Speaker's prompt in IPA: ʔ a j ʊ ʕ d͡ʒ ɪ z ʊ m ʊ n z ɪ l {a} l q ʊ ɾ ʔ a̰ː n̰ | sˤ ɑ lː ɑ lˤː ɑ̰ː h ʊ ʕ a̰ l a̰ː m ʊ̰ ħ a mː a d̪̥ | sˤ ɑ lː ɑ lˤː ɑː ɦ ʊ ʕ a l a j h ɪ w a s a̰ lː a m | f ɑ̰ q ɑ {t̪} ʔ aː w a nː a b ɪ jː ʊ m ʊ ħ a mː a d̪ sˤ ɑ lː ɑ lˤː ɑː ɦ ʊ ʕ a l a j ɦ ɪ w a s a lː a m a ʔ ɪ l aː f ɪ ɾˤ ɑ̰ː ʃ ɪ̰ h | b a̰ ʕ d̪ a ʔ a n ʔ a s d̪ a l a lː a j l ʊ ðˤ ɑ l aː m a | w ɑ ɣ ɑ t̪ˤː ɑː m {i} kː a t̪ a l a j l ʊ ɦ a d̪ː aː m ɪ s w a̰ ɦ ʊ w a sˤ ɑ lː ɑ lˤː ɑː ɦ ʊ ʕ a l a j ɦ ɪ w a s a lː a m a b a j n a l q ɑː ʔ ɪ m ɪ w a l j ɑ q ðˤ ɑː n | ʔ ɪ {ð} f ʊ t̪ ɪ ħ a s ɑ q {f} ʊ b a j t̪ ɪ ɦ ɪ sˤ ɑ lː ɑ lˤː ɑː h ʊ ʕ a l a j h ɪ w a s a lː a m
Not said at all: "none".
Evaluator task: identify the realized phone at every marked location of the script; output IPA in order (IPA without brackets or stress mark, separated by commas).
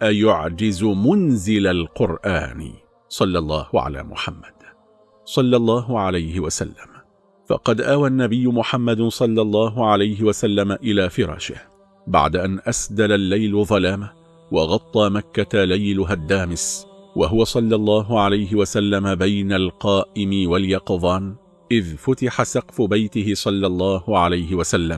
a, d̪, a, ð, f